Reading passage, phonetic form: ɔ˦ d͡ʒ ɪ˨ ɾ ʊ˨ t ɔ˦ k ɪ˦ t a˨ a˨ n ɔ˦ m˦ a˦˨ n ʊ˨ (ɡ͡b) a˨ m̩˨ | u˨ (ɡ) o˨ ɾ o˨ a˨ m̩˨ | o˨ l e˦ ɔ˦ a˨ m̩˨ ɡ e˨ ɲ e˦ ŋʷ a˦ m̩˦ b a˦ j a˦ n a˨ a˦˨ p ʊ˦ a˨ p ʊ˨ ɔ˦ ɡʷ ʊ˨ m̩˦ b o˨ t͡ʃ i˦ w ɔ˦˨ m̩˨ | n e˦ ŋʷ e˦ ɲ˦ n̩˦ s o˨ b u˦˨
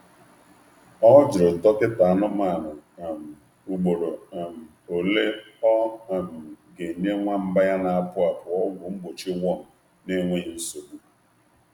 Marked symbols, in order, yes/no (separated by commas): no, no